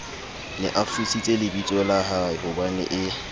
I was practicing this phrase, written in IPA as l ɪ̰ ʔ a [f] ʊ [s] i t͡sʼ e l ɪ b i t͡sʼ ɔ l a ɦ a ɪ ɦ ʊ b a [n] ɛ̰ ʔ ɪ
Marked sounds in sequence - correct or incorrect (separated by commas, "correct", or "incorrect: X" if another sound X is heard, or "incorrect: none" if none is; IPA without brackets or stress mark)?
correct, correct, correct